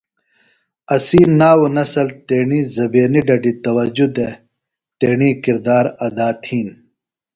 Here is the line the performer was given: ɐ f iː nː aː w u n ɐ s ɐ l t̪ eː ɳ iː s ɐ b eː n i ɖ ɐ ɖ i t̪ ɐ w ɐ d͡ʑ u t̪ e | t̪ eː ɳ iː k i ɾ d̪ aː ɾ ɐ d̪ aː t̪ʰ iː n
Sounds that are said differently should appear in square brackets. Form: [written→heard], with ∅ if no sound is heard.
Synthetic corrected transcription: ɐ [f→s] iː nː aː w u n ɐ s ɐ l t̪ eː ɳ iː [s→z] ɐ b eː n i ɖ ɐ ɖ i t̪ ɐ w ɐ d͡ʑ u [t̪→d̪] e | t̪ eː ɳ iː k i ɾ d̪ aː ɾ ɐ d̪ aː t̪ʰ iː n